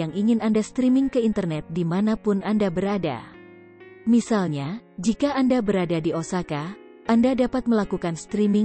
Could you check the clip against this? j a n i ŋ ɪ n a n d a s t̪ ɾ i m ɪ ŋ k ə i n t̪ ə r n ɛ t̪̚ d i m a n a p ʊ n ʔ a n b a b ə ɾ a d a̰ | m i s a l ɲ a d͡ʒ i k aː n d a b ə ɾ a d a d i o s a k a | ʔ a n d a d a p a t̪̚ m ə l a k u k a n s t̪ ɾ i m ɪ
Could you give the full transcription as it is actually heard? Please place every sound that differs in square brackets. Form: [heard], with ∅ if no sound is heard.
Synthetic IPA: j a [ŋ] i ŋ ɪ n a n d a s t̪ ɾ i m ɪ ŋ k ə i n t̪ ə r n ɛ t̪̚ d i m a n a p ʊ n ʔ a n [d] a b ə ɾ a d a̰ | m i s a l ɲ a d͡ʒ i k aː n d a b ə ɾ a d a d i o s a k a | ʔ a n d a d a p a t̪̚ m ə l a k u k a n s t̪ ɾ i m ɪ